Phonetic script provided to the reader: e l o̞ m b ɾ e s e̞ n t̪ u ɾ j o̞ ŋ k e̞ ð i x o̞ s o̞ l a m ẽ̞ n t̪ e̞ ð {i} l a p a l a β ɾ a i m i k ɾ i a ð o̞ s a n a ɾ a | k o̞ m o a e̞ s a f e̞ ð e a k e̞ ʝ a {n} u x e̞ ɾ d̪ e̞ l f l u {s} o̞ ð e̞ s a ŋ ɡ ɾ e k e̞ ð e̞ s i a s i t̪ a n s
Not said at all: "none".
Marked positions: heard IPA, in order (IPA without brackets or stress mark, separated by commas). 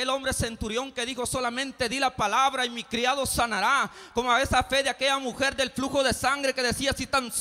i, m, x